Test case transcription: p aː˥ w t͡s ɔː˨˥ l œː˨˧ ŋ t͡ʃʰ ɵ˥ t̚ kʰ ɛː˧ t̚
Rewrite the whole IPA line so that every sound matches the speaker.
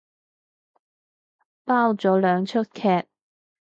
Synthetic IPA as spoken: p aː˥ w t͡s ɔː˨˥ l œː˨˧ ŋ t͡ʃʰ ɵ˥ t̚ kʰ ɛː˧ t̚